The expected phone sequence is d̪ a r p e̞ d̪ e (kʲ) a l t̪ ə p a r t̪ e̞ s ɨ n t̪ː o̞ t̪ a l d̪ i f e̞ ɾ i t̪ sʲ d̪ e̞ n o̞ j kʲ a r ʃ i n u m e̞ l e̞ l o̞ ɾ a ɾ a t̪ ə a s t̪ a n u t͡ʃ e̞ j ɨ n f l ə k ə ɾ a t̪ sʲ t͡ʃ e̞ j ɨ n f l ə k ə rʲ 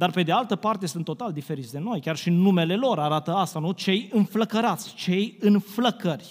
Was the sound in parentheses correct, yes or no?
no